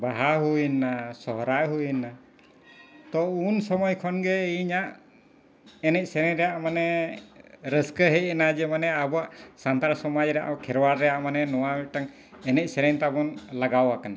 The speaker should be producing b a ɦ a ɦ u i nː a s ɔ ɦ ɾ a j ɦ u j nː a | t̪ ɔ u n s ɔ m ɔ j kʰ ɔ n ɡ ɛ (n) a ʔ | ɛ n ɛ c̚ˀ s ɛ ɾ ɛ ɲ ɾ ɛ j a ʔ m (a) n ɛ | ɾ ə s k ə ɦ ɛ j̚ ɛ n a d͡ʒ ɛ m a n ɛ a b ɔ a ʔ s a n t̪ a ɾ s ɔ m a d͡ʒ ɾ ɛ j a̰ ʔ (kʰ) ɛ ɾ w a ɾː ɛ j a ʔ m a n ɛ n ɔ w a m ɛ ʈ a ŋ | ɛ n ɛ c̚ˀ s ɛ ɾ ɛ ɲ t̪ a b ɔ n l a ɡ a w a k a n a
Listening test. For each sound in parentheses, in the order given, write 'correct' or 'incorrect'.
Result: incorrect: ɲ, correct, correct

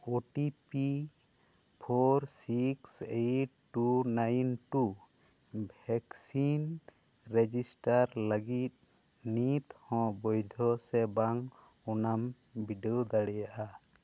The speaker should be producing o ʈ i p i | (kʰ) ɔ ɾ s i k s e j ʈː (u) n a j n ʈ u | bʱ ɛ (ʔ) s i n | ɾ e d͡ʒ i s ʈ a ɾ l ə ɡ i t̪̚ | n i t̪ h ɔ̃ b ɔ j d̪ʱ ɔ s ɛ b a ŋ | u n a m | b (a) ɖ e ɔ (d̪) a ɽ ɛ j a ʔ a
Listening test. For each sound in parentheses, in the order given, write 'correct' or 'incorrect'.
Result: incorrect: pʰ, correct, incorrect: k, incorrect: i, correct

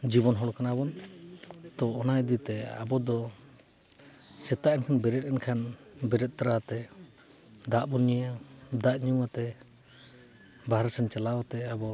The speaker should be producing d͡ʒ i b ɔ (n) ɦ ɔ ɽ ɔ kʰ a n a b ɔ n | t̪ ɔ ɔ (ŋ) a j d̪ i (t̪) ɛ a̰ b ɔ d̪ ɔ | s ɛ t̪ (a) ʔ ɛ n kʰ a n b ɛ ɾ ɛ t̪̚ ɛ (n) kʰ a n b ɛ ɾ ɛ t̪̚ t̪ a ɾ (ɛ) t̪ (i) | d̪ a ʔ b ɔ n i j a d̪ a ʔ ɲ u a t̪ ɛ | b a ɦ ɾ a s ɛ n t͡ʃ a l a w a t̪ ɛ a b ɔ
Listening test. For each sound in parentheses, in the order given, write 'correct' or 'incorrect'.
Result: correct, incorrect: n, correct, correct, correct, incorrect: a, incorrect: ɛ

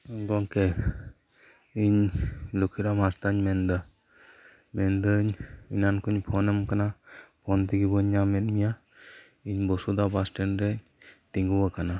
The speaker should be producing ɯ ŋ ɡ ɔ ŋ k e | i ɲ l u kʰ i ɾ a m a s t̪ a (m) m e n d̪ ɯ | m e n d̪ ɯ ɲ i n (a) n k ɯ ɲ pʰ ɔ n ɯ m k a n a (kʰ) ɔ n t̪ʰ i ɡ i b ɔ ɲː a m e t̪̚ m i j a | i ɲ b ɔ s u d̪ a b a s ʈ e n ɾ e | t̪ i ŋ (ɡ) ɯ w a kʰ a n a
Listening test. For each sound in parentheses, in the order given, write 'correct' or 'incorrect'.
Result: incorrect: ɲ, correct, incorrect: pʰ, correct

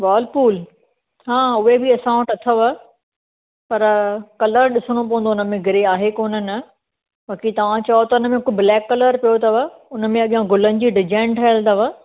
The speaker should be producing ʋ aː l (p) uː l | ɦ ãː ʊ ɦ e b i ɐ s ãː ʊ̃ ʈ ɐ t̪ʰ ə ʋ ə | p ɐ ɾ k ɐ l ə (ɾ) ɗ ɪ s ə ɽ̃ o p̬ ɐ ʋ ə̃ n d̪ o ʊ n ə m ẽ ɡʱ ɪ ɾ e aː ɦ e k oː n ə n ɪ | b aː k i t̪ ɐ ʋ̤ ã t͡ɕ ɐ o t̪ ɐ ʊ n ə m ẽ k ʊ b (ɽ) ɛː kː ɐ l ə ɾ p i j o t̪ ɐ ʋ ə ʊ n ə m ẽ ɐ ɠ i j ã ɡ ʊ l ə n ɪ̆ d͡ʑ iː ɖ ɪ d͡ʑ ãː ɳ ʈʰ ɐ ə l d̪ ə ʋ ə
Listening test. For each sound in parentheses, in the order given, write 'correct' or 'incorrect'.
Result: correct, correct, incorrect: l

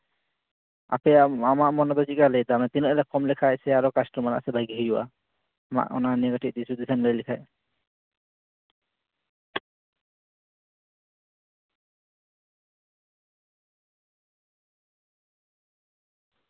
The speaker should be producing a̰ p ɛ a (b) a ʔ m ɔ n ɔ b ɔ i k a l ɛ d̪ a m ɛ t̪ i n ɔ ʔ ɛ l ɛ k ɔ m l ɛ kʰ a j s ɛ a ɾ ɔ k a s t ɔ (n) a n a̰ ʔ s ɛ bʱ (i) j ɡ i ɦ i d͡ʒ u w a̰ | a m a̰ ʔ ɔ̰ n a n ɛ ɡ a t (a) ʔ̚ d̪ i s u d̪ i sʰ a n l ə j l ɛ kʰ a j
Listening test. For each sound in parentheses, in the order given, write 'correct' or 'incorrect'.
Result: incorrect: m, incorrect: m, incorrect: a, incorrect: i

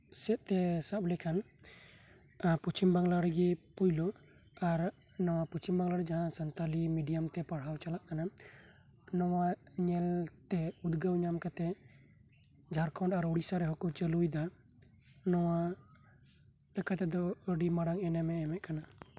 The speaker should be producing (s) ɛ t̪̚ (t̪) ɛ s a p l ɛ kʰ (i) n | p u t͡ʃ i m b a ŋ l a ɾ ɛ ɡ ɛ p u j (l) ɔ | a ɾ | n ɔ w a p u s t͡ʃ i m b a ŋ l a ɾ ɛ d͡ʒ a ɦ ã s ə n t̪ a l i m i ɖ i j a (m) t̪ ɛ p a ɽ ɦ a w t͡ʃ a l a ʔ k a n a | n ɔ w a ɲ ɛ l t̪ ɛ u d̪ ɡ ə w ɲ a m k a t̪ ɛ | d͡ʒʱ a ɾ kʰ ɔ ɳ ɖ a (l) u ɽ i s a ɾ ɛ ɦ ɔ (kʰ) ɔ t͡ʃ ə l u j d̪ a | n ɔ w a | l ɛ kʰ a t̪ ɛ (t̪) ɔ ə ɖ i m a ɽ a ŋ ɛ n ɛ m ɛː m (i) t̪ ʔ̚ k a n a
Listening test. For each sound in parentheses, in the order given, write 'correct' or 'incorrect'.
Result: correct, correct, incorrect: a, correct, correct, incorrect: ɾ, incorrect: k, incorrect: d̪, incorrect: ɛ

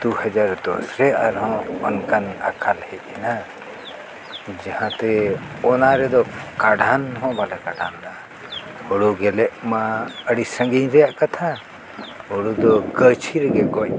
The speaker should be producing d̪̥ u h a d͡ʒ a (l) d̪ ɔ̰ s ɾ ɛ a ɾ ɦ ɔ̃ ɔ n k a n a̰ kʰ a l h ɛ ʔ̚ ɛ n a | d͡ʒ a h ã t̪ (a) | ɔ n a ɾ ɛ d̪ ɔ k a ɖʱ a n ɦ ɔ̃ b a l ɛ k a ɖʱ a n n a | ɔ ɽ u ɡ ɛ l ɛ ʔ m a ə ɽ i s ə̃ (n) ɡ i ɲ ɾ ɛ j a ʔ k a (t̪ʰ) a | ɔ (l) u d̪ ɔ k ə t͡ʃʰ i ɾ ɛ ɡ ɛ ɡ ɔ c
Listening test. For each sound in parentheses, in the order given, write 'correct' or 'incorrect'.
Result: incorrect: ɾ, incorrect: ɛ, incorrect: ŋ, correct, incorrect: ɽ

